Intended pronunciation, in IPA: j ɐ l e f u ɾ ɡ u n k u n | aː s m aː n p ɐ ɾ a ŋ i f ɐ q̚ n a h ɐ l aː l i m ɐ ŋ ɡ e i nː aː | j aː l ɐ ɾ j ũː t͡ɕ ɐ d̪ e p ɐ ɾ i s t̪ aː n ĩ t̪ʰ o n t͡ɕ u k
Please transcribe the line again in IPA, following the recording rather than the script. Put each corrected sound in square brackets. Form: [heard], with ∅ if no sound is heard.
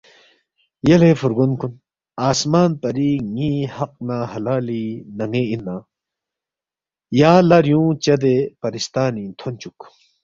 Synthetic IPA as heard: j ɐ l e f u ɾ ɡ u n k u n | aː s m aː n p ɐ ɾ [i] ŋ i [h] ɐ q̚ n a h ɐ l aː l i [n] ɐ ŋ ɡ e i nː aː | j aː l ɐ ɾ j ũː t͡ɕ ɐ d̪ e p ɐ ɾ i s t̪ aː n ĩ t̪ʰ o n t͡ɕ u k